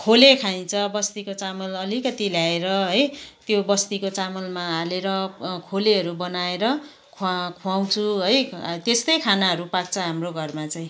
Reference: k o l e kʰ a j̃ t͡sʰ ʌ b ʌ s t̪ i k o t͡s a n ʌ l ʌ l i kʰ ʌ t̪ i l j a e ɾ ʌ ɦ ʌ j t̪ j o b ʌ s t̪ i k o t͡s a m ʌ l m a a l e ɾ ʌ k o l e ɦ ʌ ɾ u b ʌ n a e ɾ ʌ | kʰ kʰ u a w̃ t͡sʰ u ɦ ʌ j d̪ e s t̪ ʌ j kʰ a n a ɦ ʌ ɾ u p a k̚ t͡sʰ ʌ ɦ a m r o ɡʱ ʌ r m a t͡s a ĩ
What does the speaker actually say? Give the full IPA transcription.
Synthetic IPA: kʰ o l e kʰ a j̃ t͡sʰ ʌ b ʌ s t̪ i k o t͡s a m ʌ l ʌ l i k ʌ t̪ i l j a e ɾ ʌ ɦ ʌ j t̪ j o b ʌ s t̪ i k o t͡s a m ʌ l m a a l e ɾ ʌ kʰ o l e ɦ ʌ ɾ u b ʌ n a e ɾ ʌ | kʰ kʰ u a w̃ t͡sʰ u ɦ ʌ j t̪ e s t̪ ʌ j kʰ a n a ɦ ʌ ɾ u p a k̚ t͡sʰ ʌ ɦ a m r o ɡʱ ʌ r m a t͡s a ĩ

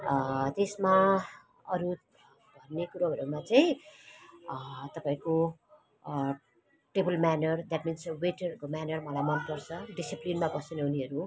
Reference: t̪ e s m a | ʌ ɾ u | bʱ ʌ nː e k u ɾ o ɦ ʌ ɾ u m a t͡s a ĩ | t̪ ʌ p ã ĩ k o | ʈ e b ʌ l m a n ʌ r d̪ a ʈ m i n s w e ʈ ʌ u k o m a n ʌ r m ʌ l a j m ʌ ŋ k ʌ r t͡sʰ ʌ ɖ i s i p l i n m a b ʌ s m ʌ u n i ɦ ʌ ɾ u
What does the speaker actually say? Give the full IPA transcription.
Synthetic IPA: t̪ e s m a | ʌ ɾ u | bʱ ʌ nː e k u ɾ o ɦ ʌ ɾ u m a t͡s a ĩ | t̪ ʌ p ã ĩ k o | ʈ e b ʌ l m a n ʌ r d̪ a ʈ m i n s w e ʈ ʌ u k o m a n ʌ r m ʌ l a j m ʌ n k ʌ r t͡sʰ ʌ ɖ i s i p l i n m a b ʌ s n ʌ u n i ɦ ʌ ɾ u

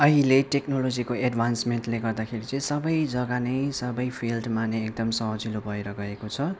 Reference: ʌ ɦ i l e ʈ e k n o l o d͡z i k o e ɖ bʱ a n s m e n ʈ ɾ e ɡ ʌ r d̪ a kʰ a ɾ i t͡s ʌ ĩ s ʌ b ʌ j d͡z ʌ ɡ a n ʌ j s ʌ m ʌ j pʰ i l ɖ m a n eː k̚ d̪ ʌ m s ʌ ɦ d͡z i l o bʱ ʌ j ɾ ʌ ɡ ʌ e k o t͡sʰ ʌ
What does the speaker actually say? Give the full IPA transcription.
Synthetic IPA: ʌ ɦ i l e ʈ e k n o l o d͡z i k o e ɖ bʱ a n s m e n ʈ l e ɡ ʌ r d̪ a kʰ e ɾ i t͡s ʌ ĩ s ʌ b ʌ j d͡z ʌ ɡ a n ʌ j s ʌ b ʌ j pʰ i l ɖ m a n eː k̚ d̪ ʌ m s ʌ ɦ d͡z i l o bʱ ʌ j ɾ ʌ ɡ ʌ e k o t͡sʰ ʌ

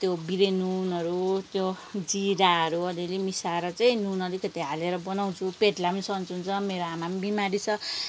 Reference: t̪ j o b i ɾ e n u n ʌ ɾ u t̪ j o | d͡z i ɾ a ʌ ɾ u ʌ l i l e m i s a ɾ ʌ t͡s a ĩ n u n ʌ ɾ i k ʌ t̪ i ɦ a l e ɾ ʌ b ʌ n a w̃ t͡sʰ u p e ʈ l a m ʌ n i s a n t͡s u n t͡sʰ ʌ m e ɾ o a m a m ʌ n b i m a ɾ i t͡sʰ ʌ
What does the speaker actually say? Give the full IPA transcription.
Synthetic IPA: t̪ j o b i ɾ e n u n ʌ ɾ u t̪ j o | d͡z i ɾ a ʌ ɾ u ʌ l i l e m i s a ɾ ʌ t͡s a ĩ n u n ʌ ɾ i k ʌ t̪ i ɦ a l e ɾ ʌ b ʌ n a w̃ t͡sʰ u p e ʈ l a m ʌ n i s ʌ n t͡s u n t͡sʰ ʌ m e ɾ o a m a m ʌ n b i m a ɾ i t͡sʰ ʌ

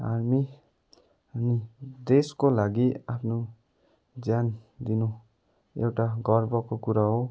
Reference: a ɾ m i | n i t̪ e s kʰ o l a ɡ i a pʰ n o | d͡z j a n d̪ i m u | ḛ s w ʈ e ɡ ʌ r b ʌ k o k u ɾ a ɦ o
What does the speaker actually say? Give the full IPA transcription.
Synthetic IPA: a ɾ m i | n i d̪ e s k o l a ɡ i a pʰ n o | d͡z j a n d̪ i n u | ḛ w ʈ a ɡ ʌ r b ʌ k o k u ɾ a ɦ o

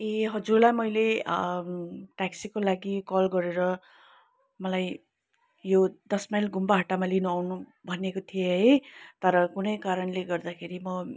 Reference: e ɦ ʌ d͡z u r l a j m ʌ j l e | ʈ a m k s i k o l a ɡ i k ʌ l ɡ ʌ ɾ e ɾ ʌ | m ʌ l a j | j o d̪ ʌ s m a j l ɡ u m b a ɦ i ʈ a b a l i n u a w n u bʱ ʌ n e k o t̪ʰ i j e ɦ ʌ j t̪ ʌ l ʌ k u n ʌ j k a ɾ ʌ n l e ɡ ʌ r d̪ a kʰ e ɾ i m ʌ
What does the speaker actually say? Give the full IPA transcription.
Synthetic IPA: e ɦ ʌ d͡z u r l a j m ʌ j l e | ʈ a k s i k o l a ɡ i k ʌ l ɡ ʌ ɾ e ɾ ʌ | m ʌ l a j | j o d̪ ʌ s m a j l ɡ u m b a ɦ a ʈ a m a l i n u a w n u bʱ ʌ n e k o t̪ʰ i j e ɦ ʌ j t̪ ʌ ɾ ʌ k u n ʌ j k a ɾ ʌ n l e ɡ ʌ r d̪ a kʰ e ɾ i m ʌ

